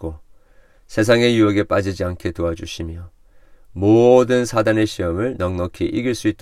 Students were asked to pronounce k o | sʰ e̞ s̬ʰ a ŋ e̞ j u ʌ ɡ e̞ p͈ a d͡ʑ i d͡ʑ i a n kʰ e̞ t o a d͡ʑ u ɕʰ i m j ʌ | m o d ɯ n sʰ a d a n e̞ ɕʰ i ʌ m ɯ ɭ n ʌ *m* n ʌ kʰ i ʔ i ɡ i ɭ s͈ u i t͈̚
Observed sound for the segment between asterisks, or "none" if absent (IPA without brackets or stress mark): ŋ